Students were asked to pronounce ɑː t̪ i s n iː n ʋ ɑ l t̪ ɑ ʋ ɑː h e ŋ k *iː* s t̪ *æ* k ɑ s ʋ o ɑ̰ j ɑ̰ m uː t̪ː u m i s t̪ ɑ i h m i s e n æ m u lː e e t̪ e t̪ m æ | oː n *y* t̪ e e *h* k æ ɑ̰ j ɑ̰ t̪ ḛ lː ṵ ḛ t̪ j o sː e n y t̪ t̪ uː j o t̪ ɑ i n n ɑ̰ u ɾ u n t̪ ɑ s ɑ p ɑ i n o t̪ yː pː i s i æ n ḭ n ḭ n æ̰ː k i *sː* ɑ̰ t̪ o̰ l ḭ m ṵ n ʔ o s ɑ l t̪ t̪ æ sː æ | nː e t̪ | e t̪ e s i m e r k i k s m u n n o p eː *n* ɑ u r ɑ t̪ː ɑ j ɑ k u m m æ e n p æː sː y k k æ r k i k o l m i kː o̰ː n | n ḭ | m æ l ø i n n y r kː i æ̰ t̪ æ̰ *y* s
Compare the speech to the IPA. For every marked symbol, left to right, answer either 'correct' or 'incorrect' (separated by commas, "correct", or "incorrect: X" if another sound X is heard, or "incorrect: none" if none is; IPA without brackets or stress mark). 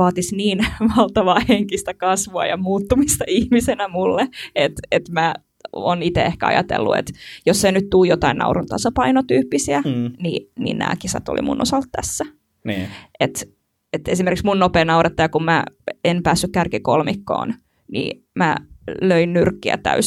incorrect: i, correct, incorrect: i, correct, incorrect: s, correct, correct